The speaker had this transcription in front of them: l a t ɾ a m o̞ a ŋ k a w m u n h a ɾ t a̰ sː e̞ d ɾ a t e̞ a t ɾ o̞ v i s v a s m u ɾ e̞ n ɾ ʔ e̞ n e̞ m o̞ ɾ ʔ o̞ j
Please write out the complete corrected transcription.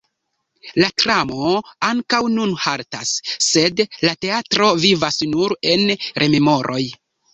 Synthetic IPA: l a t ɾ a m o̞ a ŋ k a w n u n h a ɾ t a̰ sː e̞ d l a t e̞ a t ɾ o̞ v i v a s n u ɾ e̞ n ɾ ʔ e̞ m e̞ m o̞ ɾ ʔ o̞ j